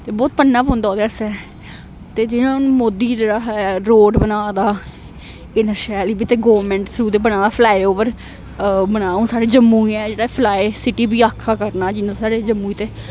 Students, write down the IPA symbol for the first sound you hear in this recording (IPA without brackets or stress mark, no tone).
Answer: t̪